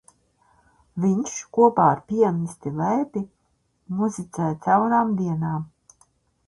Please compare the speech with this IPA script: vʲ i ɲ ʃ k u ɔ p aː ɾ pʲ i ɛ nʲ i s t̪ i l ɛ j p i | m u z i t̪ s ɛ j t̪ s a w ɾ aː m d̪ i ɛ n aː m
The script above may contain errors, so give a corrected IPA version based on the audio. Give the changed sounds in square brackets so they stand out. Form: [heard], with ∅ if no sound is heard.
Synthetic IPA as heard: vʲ i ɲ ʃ k u ɔ p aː ɾ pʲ i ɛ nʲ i s t̪ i l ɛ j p i | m u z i t̪ s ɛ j t̪ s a w ɾ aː m d̪ i ɛ n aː m